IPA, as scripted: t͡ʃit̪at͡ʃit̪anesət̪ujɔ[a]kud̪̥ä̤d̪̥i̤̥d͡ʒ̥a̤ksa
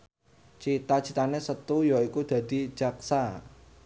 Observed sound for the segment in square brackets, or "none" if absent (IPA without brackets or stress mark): i